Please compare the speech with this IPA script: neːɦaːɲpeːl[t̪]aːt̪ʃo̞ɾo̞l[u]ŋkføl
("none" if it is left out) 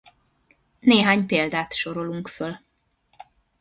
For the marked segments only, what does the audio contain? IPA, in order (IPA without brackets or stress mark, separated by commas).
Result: d̪, u